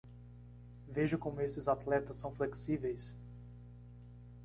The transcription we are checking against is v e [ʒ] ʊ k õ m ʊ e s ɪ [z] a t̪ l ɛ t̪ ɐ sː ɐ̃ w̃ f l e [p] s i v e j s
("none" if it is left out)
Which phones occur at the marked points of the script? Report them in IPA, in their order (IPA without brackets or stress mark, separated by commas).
ʒ, z, k